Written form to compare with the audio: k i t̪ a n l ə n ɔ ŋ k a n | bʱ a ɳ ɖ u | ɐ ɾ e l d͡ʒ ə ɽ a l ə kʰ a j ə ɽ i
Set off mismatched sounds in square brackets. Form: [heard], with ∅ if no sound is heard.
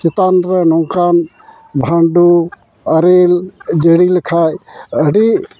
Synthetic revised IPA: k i t̪ a n [ɾ] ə n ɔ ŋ k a n | bʱ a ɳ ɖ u | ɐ ɾ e l d͡ʒ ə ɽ [i] l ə kʰ a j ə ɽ i